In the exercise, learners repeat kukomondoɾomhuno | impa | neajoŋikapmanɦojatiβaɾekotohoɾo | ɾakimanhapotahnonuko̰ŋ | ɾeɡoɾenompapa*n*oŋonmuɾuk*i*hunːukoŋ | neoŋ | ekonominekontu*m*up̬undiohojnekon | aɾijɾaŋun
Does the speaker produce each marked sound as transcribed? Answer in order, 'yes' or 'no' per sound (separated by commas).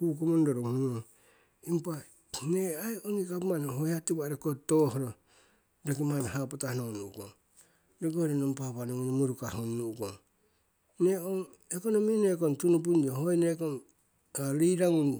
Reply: yes, no, no